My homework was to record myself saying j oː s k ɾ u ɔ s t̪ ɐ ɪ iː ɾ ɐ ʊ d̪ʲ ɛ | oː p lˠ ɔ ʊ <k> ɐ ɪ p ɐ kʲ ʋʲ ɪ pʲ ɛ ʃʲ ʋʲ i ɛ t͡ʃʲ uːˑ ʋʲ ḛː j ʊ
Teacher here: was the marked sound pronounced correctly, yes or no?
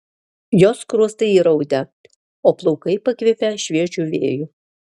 yes